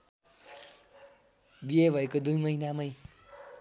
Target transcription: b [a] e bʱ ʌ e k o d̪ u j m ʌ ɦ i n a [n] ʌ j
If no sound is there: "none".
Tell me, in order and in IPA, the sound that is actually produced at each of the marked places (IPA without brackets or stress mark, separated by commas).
i, m